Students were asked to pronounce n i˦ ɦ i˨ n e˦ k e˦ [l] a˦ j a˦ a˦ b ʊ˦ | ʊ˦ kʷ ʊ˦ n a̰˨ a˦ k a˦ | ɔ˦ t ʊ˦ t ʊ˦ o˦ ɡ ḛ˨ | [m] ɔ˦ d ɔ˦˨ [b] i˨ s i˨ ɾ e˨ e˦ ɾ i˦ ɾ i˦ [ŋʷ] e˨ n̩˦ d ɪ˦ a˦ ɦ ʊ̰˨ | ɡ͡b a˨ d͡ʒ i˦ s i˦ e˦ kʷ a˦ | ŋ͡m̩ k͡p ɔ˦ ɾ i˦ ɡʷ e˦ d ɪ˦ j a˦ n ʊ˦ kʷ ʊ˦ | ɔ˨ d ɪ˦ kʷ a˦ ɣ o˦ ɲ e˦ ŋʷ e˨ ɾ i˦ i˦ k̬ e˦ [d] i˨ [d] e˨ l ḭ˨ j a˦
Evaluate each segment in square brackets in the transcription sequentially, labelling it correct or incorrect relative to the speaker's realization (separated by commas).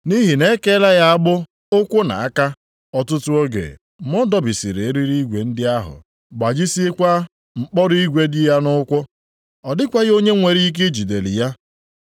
correct, correct, correct, incorrect, incorrect, correct